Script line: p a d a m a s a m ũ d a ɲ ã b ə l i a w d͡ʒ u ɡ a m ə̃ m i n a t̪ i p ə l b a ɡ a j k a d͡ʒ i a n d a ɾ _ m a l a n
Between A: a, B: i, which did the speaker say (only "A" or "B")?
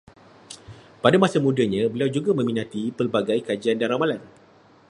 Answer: A